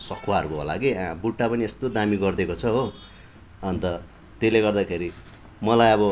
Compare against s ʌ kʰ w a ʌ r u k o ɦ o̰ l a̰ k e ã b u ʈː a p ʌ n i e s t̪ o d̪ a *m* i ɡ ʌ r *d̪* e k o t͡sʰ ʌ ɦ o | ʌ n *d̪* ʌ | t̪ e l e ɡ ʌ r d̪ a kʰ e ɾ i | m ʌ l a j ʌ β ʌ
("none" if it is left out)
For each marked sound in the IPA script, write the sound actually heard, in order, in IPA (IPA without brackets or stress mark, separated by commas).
m, d̪, t̪